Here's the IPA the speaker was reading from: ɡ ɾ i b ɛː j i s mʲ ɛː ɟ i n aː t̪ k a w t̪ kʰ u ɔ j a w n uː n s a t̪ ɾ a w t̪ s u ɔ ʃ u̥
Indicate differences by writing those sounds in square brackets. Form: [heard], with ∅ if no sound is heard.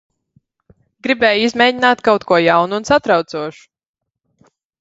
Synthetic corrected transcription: ɡ ɾ i b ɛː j i [z] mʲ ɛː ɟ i n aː t̪ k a w t̪ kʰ u ɔ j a w n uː n s a t̪ ɾ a w t̪ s u ɔ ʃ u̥